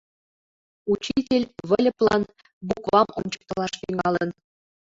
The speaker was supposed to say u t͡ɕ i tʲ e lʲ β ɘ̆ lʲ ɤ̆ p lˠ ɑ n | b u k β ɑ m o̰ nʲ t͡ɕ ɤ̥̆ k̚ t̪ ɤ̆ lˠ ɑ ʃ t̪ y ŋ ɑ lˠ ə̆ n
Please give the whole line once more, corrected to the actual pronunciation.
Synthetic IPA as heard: u t͡ɕ i tʲ e lʲ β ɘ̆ lʲ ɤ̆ p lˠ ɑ n | b u k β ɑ m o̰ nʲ t͡ɕ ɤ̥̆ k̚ t̪ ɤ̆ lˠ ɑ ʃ t̪ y ŋ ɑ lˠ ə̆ n

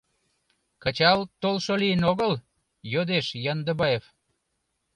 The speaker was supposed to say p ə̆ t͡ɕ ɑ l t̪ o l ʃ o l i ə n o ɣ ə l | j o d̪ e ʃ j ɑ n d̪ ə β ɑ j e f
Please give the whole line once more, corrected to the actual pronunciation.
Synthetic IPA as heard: k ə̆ t͡ɕ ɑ l t̪ o l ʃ o l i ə n o ɣ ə l | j o d̪ e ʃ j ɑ n d̪ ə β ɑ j e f

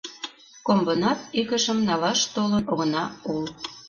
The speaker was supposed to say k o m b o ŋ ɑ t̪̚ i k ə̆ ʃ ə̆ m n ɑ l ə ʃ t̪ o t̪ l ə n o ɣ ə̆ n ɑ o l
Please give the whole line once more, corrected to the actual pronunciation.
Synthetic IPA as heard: k o m b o n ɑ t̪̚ i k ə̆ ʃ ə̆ m n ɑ l ɑ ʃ t̪ o l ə n o ɣ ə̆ n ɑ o l

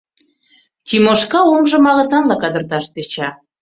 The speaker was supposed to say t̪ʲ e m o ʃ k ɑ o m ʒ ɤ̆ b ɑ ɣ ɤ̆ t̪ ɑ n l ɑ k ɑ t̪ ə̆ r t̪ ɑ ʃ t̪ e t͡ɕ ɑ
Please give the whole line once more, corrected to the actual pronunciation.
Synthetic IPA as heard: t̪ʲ i m o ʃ k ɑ o m ʒ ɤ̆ m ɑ ɣ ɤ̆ t̪ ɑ n l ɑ k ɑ d̪ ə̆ r t̪ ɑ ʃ t̪ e t͡ɕ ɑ

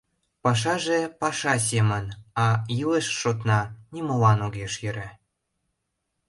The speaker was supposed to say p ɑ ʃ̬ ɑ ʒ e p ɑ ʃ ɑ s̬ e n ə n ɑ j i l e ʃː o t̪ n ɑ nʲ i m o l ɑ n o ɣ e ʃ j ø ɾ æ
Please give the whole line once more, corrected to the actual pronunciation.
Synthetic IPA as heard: p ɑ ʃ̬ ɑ ʒ e p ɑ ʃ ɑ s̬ e m ə n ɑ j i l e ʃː o t̪ n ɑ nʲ i m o l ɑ n o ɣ e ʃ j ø ɾ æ

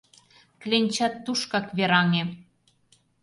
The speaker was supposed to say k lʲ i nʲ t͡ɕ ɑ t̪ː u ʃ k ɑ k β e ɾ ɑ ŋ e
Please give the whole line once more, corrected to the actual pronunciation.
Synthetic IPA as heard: k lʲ e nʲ t͡ɕ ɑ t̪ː u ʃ k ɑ k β e ɾ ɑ ŋ e

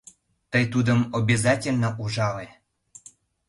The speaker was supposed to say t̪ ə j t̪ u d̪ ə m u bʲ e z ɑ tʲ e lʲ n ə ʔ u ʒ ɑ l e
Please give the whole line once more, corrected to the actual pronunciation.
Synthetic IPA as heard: t̪ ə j t̪ u d̪ ə m o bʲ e z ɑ tʲ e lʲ n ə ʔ u ʒ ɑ l e

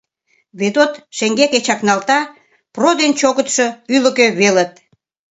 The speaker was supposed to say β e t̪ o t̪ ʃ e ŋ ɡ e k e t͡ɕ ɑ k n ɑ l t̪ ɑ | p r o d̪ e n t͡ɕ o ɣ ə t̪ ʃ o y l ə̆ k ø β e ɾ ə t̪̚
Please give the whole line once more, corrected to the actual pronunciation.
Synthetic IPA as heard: β e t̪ o t̪ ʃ e ŋ ɡ e k e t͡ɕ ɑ k n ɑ l t̪ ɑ | p r o d̪ e n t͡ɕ o ɣ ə t̪ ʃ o y l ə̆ k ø β e l ə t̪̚

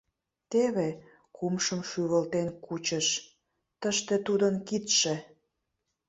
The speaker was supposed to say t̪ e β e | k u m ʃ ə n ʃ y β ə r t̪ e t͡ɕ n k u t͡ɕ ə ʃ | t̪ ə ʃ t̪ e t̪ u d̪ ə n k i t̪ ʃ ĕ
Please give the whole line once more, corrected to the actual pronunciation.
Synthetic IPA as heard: t̪ e β e | k u m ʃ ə m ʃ y β ə l t̪ e n k u t͡ɕ ə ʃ | t̪ ə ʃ t̪ e t̪ u d̪ ə n k i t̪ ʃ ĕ

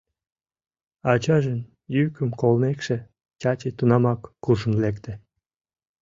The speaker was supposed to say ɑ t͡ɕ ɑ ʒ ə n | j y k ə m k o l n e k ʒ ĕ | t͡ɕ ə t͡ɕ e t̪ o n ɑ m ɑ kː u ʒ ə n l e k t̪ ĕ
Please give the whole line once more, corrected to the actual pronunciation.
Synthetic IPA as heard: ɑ t͡ɕ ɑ ʒ ə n | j y k ə m k o l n e k ʃ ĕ | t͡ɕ ɑ t͡ɕ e t̪ u n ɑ m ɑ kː u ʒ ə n l e k t̪ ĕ

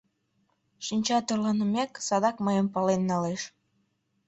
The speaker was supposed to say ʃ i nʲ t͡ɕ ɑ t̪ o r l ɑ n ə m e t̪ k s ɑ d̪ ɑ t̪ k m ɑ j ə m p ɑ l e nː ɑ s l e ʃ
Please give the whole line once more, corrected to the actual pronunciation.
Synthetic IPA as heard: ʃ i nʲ t͡ɕ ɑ t̪ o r l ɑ n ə m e k s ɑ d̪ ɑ k m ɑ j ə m p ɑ l e nː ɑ l e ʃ

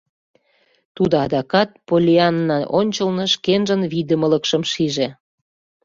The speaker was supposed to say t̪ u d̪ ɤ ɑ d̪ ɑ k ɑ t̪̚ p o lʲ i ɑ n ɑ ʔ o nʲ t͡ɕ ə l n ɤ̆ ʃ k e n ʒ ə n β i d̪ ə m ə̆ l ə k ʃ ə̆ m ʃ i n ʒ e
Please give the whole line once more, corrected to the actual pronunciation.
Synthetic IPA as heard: t̪ u d̪ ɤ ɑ d̪ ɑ k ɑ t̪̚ p o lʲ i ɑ nː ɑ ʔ o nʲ t͡ɕ ə l n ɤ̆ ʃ k e n ʒ ə n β i d̪ ə m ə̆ l ə k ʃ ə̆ m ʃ i ʒ e

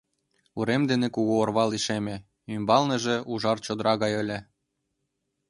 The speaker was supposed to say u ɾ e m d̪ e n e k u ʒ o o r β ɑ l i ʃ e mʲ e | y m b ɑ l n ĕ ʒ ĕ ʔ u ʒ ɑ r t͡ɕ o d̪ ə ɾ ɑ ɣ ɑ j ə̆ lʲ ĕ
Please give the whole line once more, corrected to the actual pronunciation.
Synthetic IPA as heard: u ɾ e m d̪ e n e k u ɣ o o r β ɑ l i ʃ e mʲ e | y m b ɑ l n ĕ ʒ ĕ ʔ u ʒ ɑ r t͡ɕ o d̪ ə ɾ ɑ ɣ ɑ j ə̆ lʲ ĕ

